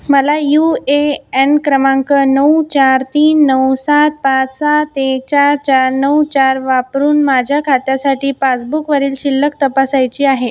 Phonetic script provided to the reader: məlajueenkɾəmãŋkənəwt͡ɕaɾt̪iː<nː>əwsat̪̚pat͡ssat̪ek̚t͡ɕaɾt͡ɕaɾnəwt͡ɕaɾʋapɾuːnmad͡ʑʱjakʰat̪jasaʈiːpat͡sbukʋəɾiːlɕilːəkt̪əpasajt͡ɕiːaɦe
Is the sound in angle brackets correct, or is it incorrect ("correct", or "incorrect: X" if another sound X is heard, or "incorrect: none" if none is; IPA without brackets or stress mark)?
correct